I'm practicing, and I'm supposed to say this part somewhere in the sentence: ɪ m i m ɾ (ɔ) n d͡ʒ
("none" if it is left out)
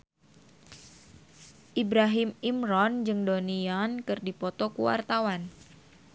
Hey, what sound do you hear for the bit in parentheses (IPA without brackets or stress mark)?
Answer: ɔ